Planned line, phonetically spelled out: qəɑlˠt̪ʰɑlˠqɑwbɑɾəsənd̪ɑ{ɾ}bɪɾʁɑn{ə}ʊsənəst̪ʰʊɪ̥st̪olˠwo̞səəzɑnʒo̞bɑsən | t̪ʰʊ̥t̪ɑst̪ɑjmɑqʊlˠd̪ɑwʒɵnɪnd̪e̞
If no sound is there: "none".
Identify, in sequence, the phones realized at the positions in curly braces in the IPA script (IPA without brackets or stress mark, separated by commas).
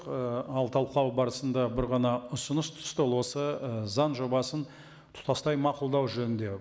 none, ɑ